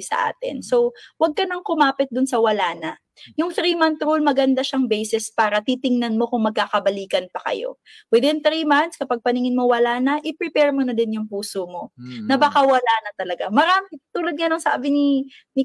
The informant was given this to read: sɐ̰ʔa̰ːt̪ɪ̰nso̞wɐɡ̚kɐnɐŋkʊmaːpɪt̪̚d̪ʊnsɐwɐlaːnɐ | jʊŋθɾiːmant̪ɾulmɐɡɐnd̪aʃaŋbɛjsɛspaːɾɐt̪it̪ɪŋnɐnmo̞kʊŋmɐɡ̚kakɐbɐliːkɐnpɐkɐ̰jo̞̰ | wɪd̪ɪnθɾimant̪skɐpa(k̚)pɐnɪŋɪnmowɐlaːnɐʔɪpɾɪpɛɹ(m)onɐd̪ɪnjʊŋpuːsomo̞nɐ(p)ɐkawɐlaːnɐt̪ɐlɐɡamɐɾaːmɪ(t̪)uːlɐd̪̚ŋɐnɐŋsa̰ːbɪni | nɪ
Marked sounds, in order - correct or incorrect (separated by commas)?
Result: incorrect, correct, incorrect, correct